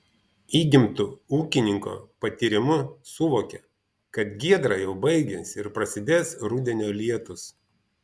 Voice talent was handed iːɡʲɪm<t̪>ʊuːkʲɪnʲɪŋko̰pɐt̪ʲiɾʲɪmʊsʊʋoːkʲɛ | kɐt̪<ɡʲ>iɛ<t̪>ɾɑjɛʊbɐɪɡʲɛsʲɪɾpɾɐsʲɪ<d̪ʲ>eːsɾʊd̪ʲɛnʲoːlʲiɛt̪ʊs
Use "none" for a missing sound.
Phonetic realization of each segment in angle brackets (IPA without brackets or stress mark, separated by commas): t̪, ɡʲ, d̪, d̪ʲ